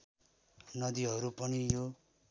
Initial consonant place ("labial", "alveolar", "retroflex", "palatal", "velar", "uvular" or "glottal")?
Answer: alveolar